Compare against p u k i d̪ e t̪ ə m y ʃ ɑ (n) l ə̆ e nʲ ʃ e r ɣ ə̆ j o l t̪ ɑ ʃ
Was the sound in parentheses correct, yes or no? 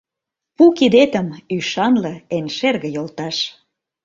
yes